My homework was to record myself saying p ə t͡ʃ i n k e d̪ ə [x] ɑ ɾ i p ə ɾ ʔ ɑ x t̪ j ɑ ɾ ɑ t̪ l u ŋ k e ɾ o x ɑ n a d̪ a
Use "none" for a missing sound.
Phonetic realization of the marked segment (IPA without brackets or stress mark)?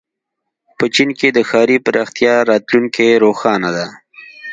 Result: x